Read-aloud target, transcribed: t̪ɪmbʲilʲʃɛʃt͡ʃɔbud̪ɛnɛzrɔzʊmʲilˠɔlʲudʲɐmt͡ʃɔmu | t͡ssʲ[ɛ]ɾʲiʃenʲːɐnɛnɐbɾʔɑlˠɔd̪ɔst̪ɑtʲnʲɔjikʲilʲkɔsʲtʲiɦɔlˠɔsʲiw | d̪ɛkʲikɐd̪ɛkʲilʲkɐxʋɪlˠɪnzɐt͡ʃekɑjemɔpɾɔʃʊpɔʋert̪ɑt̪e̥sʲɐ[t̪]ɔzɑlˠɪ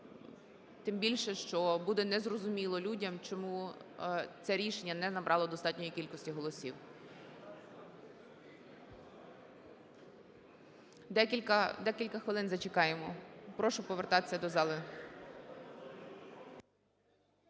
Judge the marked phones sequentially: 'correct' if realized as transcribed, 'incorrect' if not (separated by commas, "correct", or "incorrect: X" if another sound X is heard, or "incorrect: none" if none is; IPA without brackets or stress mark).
correct, incorrect: d̪